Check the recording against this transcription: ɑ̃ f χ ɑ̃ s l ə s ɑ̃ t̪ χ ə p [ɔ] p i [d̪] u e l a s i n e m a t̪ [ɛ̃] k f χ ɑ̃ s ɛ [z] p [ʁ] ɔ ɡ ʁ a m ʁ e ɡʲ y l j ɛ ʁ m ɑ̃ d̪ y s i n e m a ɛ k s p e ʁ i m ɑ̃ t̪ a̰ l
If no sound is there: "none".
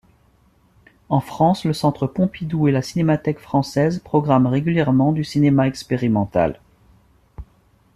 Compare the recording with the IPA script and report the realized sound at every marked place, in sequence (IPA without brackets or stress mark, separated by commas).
ɔ̃, d̪, ɛ, z, χ